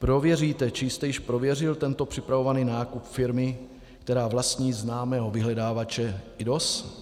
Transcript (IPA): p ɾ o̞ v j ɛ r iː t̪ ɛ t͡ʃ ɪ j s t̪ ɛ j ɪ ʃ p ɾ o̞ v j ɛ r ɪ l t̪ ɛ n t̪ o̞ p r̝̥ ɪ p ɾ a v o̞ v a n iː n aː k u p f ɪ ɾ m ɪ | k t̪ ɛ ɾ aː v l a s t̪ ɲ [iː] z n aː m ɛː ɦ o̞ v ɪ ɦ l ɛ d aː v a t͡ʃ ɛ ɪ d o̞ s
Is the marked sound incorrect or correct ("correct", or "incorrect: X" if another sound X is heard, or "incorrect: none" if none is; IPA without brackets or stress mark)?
correct